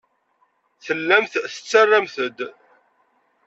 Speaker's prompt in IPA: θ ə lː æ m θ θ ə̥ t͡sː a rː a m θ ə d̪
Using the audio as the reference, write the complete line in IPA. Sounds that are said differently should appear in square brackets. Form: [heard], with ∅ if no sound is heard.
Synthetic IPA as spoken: θ ə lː æ m θ θ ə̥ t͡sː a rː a m θ ə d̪